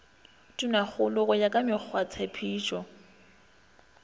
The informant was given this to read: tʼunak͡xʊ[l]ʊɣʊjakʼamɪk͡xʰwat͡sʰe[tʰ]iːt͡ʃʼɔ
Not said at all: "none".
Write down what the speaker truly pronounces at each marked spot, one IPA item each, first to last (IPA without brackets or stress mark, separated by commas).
l, pʰ